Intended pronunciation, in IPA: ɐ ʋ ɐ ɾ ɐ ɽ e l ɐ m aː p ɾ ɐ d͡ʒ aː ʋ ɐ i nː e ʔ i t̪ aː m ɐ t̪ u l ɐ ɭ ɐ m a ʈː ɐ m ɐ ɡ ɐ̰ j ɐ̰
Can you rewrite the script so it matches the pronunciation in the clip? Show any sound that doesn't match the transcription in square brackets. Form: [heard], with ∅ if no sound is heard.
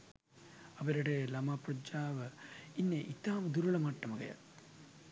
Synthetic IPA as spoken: ɐ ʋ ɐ ɾ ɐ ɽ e l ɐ m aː p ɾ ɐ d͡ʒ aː ʋ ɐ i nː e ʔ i t̪ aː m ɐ [d̪] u [ɾ] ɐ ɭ ɐ m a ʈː ɐ m ɐ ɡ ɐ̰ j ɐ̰

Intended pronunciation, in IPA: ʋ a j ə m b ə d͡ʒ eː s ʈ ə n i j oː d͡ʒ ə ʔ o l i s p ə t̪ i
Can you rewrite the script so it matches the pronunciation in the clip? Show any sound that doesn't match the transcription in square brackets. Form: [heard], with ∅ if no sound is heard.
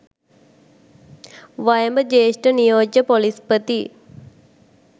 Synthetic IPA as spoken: ʋ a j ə m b ə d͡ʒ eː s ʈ ə n i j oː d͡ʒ ə [p] o l i s p ə t̪ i

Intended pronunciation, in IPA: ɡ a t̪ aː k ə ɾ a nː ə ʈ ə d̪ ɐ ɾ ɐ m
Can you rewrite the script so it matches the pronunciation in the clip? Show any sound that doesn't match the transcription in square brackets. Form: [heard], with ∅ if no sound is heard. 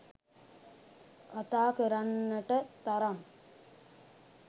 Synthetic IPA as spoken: [k] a t̪ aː k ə ɾ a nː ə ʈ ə [t̪] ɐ ɾ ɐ m

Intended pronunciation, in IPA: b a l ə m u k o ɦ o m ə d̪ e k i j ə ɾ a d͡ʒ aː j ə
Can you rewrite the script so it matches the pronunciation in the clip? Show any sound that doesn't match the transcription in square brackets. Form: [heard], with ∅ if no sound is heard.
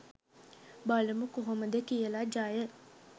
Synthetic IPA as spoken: b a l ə m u k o ɦ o m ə d̪ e k i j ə [l] a d͡ʒ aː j ə

